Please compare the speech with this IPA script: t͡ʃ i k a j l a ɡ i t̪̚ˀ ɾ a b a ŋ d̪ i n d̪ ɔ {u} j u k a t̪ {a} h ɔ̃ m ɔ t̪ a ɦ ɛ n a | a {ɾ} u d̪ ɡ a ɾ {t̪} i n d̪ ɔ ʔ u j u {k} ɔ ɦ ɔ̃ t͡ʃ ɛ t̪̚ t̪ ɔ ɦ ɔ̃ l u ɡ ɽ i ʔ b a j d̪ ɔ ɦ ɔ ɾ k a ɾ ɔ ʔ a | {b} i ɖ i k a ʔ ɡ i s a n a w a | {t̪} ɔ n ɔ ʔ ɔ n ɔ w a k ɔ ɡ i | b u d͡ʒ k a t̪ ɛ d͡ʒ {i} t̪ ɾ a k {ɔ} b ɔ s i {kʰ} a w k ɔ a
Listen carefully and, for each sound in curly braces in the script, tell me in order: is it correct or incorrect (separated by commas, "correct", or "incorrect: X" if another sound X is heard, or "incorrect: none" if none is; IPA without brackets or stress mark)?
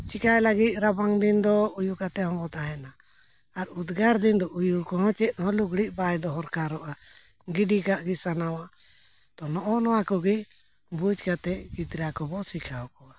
correct, incorrect: ɛ, correct, incorrect: d̪, correct, incorrect: ɡ, correct, correct, correct, correct